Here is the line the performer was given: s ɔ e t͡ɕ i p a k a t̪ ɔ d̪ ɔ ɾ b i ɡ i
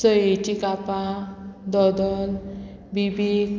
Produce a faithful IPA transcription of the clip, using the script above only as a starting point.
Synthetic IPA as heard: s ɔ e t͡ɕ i k a p a d̪ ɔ d̪ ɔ l b i b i